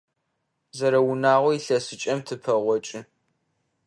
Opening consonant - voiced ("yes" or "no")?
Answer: yes